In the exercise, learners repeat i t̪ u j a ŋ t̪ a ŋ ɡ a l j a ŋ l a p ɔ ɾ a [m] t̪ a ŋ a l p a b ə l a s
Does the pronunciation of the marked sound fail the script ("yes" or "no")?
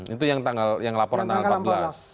yes